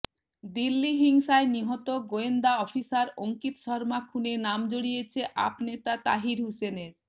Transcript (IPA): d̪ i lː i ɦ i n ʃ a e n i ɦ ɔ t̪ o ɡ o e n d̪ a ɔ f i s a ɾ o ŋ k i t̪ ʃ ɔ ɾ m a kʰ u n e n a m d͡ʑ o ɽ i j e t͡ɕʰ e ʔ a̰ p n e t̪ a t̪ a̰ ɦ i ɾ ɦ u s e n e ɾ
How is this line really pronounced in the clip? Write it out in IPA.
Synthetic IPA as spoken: d̪ i lː i ɦ i ŋ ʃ a e n i ɦ ɔ t̪ o ɡ o e n d̪ a ɔ f i s a ɾ o ŋ k i t̪ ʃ ɔ ɾ m a kʰ u n e n a m d͡ʑ o ɽ i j e t͡ɕʰ e ʔ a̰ p n e t̪ a t̪ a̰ ɦ i ɾ ɦ u s e n e ɾ